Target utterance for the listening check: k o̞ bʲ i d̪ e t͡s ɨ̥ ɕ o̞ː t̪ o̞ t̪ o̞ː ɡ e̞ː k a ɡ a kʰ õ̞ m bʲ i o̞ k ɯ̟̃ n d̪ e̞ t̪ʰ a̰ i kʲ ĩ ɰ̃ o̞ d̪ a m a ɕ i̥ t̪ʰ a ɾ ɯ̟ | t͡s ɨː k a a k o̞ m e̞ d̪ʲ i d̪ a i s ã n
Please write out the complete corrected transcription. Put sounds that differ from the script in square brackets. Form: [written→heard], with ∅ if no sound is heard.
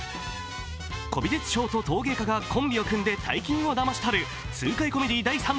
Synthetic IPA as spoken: k o̞ bʲ i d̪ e t͡s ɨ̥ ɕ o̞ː t̪ o̞ t̪ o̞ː ɡ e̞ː k a ɡ a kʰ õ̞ m bʲ i o̞ k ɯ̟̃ n d̪ e̞ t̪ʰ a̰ i kʲ ĩ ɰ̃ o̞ d̪ a m a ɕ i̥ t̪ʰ a ɾ ɯ̟ | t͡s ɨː k a [a→i] k o̞ m e̞ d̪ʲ i d̪ a i s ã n